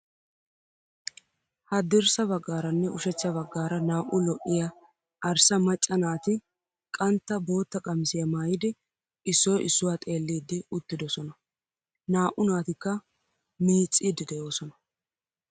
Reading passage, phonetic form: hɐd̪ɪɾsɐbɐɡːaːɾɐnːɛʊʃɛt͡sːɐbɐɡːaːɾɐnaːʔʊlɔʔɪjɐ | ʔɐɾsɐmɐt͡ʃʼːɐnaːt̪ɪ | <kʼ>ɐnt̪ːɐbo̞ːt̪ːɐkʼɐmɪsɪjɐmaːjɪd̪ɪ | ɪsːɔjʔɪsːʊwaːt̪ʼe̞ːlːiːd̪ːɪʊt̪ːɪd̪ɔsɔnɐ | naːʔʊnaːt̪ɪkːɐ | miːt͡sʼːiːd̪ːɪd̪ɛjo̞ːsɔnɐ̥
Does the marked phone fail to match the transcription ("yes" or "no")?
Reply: no